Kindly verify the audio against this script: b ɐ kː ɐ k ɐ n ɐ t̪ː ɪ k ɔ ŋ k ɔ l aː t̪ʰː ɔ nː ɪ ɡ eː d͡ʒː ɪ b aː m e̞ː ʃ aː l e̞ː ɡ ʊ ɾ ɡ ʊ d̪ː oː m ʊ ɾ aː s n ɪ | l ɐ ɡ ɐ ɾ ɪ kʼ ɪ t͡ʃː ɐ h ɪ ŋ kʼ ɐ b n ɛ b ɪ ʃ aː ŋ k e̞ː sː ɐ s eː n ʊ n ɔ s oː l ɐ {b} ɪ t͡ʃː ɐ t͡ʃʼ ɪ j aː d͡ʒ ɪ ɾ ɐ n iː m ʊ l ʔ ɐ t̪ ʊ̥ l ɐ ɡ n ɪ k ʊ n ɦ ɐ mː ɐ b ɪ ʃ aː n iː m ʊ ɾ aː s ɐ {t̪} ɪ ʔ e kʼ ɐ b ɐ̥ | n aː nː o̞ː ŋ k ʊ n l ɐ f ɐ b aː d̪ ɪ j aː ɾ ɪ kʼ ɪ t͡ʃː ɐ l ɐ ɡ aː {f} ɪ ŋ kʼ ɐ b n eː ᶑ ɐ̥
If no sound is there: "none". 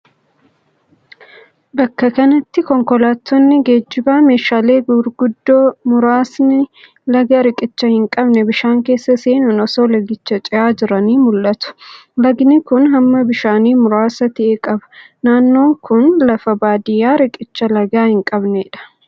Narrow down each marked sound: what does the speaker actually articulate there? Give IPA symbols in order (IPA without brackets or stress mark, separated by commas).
ɡ, t̪, h